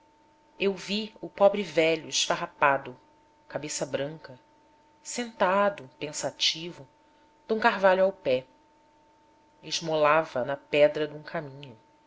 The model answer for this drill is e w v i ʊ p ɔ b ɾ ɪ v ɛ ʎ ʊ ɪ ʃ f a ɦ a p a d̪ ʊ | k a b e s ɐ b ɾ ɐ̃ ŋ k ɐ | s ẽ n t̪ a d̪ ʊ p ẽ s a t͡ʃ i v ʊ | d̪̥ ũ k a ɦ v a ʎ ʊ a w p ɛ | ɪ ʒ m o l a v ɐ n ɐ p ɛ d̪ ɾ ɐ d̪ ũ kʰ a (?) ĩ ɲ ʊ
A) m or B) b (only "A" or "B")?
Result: A